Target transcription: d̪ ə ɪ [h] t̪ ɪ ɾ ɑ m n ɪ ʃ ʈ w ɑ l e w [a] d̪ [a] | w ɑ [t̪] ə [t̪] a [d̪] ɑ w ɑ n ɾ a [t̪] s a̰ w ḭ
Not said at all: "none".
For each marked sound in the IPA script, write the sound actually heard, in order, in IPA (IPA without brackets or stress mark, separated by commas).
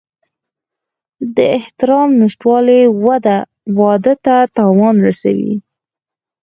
h, a, a, d̪, t̪, t̪, none